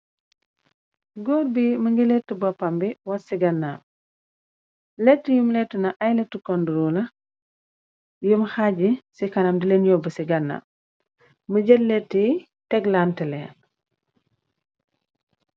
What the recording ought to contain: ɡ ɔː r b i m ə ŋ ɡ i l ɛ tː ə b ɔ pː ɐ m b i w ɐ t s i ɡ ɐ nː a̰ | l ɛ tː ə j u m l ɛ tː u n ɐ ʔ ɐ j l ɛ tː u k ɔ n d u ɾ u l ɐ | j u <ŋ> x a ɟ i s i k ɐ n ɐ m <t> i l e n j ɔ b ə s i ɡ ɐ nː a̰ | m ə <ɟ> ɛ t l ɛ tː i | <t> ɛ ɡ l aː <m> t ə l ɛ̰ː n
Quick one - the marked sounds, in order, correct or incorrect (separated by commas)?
incorrect, incorrect, correct, correct, incorrect